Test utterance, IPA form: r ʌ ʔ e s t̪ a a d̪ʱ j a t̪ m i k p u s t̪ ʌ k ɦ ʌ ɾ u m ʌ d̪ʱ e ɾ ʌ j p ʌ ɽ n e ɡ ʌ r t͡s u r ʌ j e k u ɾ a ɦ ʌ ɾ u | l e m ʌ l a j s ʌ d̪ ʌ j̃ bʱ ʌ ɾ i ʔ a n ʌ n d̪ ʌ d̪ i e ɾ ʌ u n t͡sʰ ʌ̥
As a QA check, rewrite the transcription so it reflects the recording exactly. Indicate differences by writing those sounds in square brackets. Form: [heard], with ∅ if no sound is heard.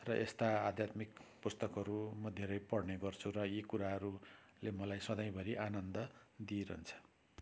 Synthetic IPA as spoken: r ʌ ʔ e s t̪ a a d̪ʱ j a t̪ m i k p u s t̪ ʌ k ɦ ʌ ɾ u m ʌ d̪ʱ e ɾ ʌ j p ʌ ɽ n e ɡ ʌ r [t͡sʰ] u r ʌ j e k u ɾ a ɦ ʌ ɾ u | l e m ʌ l a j s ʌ d̪ ʌ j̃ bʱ ʌ ɾ i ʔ a n ʌ n d̪ ʌ d̪ i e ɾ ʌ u n t͡sʰ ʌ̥